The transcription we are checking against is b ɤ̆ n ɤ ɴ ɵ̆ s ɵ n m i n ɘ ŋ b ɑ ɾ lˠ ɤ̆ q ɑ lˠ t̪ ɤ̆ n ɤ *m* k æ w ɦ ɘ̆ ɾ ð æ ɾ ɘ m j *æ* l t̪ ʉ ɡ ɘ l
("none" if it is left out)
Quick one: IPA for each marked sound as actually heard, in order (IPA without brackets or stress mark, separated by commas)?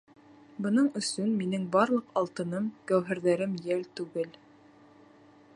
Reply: m, æ